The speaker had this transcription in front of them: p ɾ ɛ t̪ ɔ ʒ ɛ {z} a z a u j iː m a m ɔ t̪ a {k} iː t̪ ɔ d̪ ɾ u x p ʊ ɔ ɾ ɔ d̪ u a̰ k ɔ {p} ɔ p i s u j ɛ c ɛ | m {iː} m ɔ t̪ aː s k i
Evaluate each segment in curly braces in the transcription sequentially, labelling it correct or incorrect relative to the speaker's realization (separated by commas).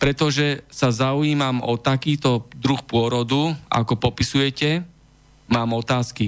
incorrect, correct, correct, incorrect